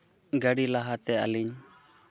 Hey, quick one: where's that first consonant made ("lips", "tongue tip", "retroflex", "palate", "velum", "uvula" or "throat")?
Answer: velum